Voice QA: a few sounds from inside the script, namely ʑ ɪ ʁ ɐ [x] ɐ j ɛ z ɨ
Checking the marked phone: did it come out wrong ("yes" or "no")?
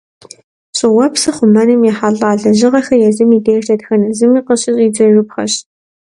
no